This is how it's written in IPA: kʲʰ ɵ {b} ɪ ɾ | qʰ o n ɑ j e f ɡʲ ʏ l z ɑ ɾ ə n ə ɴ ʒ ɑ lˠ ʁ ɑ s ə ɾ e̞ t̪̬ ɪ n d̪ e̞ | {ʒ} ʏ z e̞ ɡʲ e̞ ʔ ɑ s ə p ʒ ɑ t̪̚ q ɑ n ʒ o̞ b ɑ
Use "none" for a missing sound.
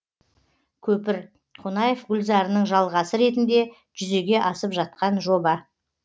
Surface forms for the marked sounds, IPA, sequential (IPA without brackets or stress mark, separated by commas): p, ʒ